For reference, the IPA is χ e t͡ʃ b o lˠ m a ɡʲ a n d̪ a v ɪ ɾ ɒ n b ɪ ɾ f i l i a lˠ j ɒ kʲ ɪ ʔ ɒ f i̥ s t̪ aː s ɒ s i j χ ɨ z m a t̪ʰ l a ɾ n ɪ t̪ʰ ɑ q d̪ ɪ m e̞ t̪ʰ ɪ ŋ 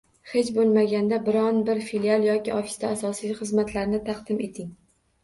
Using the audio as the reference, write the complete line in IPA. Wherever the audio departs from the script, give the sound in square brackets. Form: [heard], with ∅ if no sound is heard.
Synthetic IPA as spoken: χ e t͡ʃ b o lˠ m a ɡʲ a n d̪ a [b] ɪ ɾ ɒ n b ɪ ɾ f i l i a lˠ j ɒ kʲ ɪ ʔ ɒ f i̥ s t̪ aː s ɒ s i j χ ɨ z m a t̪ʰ l a ɾ n ɪ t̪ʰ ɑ q d̪ ɪ m e̞ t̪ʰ ɪ ŋ